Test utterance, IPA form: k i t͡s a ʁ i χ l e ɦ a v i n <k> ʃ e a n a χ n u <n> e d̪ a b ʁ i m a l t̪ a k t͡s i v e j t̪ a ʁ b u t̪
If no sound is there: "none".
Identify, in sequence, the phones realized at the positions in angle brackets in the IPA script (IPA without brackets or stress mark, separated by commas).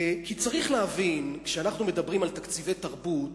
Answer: k, m